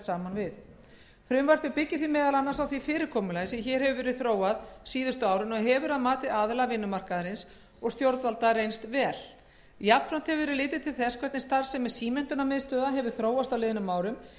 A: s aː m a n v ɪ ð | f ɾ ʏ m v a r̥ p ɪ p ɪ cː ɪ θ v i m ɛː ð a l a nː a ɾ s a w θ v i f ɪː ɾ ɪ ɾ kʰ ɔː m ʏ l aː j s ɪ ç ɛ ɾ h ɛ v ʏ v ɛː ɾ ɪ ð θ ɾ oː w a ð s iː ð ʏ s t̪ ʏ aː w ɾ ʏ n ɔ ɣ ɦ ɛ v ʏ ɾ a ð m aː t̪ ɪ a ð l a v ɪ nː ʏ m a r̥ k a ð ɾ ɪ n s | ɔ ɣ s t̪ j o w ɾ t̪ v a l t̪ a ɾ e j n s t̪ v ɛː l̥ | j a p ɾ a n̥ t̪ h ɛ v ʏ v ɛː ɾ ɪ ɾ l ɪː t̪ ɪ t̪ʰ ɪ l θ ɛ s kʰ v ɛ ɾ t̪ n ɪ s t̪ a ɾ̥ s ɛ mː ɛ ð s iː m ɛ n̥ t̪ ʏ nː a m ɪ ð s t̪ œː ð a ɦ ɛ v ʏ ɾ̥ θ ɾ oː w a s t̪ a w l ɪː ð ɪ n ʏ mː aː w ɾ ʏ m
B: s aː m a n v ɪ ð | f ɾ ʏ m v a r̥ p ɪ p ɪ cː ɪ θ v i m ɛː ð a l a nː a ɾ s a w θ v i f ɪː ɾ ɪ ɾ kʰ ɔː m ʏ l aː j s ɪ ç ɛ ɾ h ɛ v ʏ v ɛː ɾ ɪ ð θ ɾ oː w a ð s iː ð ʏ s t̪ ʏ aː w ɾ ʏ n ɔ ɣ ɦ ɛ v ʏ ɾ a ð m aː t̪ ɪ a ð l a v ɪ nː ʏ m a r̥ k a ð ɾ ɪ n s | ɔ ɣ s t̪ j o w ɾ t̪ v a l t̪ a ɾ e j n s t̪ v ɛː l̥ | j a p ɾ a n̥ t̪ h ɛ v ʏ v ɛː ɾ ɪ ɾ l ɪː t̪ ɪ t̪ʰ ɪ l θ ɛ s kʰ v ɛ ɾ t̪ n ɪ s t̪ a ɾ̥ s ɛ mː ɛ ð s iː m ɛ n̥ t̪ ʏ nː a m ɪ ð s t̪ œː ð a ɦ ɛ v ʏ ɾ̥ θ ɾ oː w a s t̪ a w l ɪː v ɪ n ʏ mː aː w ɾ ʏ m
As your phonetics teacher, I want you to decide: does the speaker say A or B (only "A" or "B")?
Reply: A